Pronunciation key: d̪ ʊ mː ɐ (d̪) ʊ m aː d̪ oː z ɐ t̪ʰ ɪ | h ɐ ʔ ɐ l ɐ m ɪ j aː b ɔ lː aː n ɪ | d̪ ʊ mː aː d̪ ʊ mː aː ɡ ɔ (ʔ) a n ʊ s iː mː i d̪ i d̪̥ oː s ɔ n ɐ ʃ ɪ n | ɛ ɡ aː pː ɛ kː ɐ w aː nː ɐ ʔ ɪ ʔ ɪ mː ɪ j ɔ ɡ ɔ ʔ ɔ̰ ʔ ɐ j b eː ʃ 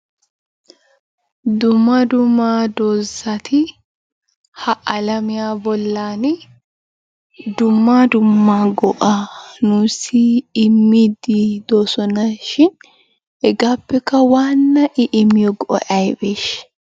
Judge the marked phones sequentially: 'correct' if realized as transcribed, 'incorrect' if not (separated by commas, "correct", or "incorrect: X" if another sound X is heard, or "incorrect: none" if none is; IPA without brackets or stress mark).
correct, correct